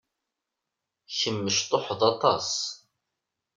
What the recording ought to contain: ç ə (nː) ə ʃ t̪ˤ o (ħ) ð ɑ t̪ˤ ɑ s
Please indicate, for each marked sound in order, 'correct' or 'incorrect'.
incorrect: mː, correct

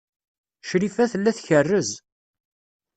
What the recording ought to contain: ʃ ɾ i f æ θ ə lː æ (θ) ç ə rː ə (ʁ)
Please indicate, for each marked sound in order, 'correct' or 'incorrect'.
correct, incorrect: z

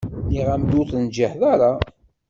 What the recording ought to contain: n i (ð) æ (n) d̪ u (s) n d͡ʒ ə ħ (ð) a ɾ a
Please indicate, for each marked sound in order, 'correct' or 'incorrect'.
incorrect: ʁ, incorrect: m, incorrect: θ, correct

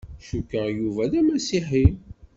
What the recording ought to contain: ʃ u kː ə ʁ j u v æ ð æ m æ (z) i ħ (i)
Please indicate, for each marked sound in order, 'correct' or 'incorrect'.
incorrect: s, correct

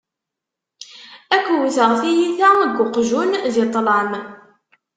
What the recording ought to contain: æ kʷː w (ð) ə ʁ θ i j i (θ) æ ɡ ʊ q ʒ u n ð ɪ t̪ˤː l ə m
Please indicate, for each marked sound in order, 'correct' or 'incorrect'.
incorrect: θ, correct

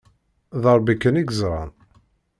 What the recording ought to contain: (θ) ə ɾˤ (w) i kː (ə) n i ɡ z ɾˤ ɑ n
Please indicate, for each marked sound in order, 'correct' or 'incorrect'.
incorrect: ð, incorrect: b, correct

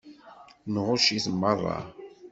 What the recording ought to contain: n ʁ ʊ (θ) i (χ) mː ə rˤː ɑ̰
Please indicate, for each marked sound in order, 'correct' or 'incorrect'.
incorrect: ʃ, incorrect: θ

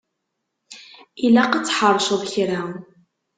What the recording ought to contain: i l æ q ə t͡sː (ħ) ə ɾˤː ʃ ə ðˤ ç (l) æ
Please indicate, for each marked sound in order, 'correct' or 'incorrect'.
correct, incorrect: ɾ

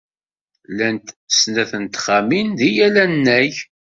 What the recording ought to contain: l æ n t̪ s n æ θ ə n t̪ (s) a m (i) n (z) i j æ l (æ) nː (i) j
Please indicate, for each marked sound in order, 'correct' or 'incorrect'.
incorrect: χ, correct, incorrect: ð, correct, incorrect: æ

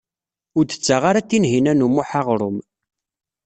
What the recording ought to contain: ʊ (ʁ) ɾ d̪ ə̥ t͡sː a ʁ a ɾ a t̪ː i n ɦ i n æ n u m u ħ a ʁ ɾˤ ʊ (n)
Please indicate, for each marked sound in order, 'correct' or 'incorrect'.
incorrect: none, incorrect: m

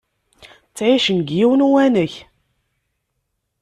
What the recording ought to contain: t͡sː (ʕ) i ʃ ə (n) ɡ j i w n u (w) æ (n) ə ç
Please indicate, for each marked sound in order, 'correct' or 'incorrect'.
correct, correct, correct, correct

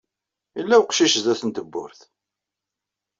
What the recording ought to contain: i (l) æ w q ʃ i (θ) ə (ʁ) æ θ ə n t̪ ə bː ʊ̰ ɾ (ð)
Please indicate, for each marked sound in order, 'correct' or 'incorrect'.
incorrect: lː, incorrect: ʃ, incorrect: z, incorrect: θ

